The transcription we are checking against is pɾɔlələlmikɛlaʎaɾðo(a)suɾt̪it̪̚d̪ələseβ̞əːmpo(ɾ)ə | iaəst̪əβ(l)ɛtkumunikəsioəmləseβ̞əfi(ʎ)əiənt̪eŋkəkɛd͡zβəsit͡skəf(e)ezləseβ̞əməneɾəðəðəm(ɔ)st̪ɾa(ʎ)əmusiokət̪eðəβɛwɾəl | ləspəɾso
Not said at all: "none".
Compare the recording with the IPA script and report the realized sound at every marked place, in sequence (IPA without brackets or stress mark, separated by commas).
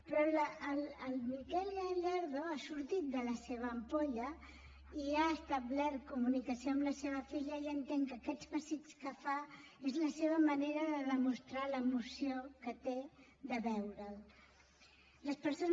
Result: a, ʎ, l, ʎ, a, u, l